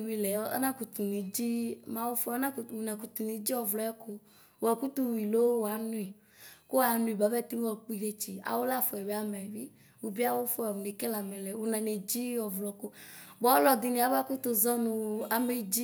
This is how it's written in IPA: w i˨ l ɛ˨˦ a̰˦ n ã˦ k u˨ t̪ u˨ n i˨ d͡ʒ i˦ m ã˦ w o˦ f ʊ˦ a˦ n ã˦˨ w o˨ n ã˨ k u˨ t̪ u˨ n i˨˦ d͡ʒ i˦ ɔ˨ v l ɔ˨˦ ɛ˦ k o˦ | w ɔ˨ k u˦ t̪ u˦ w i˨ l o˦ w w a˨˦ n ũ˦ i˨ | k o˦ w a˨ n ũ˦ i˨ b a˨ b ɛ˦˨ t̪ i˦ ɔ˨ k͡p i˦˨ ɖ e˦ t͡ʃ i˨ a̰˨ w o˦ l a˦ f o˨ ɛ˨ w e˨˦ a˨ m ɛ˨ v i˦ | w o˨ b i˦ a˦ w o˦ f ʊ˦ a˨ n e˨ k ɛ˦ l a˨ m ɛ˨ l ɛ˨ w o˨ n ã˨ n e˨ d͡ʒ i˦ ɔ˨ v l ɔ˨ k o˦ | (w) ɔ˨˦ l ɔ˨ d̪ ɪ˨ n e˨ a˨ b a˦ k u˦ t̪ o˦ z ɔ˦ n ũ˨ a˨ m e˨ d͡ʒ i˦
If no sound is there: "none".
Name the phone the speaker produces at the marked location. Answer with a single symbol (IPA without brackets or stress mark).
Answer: b